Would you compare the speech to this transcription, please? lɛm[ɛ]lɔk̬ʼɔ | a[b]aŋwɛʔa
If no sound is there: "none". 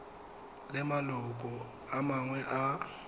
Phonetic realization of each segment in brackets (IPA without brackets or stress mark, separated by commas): a, m